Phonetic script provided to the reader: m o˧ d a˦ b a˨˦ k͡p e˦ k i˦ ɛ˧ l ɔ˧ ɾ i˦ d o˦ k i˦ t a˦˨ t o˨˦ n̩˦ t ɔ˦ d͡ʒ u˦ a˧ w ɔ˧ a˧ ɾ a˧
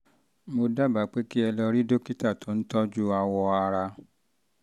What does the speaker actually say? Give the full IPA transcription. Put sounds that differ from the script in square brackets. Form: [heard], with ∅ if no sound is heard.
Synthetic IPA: m o˧ d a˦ b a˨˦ k͡p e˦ k i˦ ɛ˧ l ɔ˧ ɾ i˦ d o˦ k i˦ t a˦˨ t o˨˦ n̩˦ t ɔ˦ d͡ʒ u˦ a˧ w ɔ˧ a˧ ɾ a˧